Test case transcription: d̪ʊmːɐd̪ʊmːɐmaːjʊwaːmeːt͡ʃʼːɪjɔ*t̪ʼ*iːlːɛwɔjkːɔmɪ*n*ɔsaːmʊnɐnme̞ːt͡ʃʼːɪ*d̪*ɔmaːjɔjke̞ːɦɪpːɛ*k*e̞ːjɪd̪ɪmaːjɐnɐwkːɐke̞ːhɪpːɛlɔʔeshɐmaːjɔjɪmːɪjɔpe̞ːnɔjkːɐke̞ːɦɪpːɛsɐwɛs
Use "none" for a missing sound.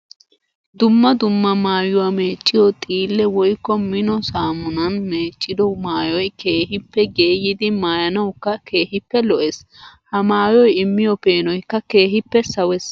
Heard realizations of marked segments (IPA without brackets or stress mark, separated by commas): t̪ʼ, n, d̪, ɡ